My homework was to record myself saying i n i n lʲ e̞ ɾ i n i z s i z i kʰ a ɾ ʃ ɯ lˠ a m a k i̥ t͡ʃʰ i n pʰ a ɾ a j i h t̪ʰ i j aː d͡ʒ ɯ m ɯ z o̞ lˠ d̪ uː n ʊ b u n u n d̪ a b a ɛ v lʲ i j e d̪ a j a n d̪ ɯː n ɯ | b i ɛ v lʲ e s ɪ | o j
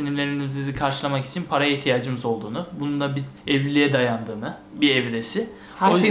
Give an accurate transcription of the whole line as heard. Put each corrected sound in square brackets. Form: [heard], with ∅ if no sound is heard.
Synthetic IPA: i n i [m] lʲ e̞ ɾ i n i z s i z i kʰ a ɾ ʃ ɯ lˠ a m a k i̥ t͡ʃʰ i n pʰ a ɾ a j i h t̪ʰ i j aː d͡ʒ ɯ m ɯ z o̞ lˠ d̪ uː n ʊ b u n u n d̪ a b [i] ɛ v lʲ i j [ɛ] d̪ a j a n d̪ ɯː n ɯ | b i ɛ v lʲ e s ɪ | o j